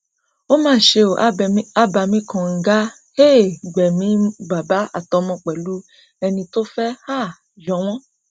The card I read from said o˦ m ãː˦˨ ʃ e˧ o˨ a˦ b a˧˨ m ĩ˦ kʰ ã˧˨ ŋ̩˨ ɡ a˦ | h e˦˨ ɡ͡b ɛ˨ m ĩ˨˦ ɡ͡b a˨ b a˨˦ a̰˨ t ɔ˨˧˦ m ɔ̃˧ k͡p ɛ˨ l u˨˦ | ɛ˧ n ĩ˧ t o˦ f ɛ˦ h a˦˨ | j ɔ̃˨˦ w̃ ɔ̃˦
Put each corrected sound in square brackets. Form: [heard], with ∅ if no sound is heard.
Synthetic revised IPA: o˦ m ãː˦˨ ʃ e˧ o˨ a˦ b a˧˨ m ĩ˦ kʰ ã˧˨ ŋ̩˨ ɡ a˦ | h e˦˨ ɡ͡b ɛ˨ m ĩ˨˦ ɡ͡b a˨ b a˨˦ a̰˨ t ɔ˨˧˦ m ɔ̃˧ k͡p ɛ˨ l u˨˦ | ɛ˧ n ĩ˧ t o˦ f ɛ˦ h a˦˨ | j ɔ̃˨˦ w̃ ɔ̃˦